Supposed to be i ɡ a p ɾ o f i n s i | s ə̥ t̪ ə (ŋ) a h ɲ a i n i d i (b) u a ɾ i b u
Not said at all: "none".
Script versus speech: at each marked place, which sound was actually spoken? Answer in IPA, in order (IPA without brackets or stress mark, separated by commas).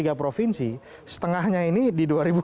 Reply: ŋ, d